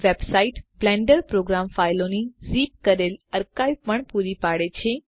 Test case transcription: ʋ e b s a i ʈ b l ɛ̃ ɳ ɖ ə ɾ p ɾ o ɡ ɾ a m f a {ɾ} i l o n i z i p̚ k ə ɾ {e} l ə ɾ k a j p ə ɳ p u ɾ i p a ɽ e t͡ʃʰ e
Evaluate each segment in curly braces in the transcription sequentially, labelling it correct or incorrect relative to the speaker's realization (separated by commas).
incorrect, correct